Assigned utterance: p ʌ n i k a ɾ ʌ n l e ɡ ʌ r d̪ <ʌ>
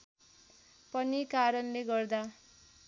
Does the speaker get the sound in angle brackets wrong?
yes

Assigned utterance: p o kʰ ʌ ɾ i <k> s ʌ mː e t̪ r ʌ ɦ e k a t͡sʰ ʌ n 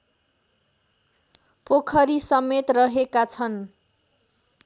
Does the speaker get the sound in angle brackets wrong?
yes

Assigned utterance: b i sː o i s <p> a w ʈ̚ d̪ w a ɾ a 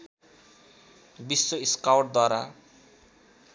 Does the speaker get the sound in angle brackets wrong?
yes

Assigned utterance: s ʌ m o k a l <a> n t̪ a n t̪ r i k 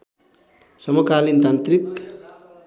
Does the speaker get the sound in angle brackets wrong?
yes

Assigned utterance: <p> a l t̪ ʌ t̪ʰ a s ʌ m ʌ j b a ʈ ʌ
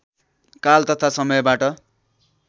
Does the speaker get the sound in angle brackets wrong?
yes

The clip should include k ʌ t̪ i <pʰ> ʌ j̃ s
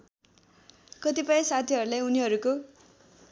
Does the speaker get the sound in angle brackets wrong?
yes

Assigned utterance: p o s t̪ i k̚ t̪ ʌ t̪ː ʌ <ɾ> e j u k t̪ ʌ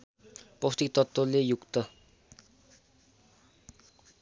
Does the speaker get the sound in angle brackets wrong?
yes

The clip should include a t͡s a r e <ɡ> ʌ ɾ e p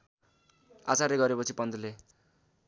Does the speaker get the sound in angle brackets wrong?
no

